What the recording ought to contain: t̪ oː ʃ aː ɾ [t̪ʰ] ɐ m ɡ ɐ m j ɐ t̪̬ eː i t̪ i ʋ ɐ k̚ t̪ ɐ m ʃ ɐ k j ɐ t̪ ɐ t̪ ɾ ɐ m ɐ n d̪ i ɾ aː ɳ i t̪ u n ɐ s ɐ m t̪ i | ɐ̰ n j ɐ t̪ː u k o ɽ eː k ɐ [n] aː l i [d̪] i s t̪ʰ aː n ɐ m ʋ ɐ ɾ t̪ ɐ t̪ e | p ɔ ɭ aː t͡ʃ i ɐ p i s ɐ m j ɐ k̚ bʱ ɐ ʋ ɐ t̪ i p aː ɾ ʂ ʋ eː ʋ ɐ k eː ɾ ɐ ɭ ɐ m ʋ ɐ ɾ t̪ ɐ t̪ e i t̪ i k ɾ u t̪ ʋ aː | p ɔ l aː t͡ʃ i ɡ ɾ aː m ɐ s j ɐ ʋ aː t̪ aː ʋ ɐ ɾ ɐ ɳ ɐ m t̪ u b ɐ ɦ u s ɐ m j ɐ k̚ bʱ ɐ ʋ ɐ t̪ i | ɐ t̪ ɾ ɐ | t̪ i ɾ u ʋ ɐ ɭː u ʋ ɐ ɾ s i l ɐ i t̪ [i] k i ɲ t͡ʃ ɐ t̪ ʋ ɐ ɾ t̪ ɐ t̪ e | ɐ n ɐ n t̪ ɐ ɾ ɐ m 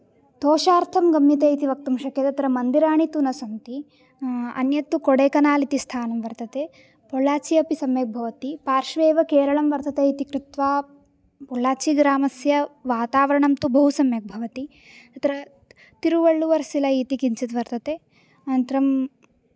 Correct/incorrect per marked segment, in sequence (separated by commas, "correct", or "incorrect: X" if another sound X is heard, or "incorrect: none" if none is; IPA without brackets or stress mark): correct, correct, incorrect: t̪, correct